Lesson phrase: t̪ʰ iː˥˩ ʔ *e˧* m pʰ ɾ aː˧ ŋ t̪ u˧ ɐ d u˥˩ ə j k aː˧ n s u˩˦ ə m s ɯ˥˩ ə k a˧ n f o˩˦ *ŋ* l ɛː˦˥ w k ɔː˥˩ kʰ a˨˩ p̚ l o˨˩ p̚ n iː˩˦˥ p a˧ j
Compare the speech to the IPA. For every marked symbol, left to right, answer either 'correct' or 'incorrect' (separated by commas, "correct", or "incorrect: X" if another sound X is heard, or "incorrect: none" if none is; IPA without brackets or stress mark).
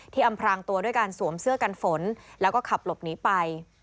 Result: incorrect: a˧, incorrect: n